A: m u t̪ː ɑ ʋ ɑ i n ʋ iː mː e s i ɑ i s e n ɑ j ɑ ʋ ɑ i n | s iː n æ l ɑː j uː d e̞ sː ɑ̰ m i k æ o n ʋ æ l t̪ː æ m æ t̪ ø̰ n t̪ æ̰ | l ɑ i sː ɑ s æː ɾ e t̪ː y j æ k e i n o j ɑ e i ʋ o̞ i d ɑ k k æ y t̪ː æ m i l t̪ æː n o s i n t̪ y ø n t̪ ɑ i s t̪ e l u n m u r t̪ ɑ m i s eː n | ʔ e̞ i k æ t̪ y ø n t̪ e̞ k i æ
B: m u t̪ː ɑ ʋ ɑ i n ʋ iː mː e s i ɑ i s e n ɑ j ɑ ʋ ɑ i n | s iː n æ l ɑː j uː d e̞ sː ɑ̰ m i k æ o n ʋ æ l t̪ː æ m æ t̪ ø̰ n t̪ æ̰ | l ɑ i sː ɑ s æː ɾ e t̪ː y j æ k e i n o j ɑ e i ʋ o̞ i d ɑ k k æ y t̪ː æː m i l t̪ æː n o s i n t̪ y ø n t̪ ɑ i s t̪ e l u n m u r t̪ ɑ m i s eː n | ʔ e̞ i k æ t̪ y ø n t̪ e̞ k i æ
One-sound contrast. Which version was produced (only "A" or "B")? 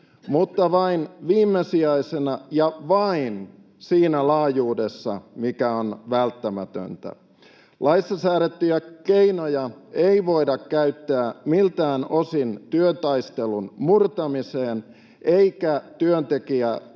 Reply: B